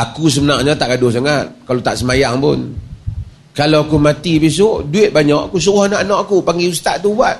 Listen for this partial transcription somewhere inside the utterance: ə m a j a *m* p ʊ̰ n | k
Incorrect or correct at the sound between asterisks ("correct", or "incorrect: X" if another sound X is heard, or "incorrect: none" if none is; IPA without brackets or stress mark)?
incorrect: ŋ